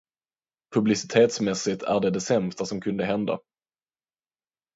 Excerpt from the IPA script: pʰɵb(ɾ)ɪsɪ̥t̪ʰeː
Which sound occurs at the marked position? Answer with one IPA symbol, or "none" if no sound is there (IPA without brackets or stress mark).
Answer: l